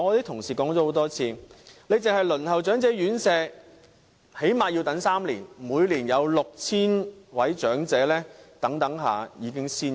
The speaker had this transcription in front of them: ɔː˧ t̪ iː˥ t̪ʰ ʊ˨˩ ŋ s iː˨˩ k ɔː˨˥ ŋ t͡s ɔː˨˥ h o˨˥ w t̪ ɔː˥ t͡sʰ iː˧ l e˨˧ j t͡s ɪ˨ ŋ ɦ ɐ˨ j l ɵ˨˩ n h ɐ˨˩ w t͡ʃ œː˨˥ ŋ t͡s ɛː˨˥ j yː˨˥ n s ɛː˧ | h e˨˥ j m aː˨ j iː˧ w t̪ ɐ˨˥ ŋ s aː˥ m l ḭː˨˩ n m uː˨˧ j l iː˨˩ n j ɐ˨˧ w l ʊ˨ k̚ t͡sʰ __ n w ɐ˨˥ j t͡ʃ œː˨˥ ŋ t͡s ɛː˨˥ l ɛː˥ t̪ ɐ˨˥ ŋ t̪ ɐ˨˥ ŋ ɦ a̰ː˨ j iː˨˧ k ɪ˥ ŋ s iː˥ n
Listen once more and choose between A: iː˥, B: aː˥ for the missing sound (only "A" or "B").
A